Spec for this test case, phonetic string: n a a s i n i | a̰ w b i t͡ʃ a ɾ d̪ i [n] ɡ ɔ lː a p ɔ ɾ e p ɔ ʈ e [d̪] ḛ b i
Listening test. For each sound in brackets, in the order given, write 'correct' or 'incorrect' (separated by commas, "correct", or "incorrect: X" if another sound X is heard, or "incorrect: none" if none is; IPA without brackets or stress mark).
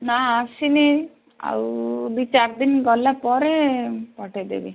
correct, correct